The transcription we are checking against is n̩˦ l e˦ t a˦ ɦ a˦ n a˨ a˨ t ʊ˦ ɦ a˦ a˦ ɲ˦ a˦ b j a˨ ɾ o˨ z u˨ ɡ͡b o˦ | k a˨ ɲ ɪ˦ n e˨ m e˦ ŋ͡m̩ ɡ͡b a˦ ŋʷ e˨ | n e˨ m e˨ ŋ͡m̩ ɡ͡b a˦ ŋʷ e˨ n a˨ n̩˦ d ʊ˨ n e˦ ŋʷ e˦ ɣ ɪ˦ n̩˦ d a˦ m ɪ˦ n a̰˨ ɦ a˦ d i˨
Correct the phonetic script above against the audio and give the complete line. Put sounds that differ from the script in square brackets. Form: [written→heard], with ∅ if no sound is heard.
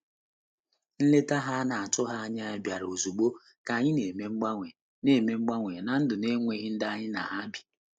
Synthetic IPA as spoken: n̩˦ l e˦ t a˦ ɦ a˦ n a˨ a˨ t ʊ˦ ɦ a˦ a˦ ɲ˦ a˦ b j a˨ ɾ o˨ z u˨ ɡ͡b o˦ | k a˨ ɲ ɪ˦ n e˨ m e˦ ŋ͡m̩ ɡ͡b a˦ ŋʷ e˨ | n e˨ m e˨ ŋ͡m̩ ɡ͡b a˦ ŋʷ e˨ n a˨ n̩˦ d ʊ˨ n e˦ ŋʷ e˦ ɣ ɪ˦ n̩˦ d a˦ [m→ɲ] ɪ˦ n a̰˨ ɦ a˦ [d→b] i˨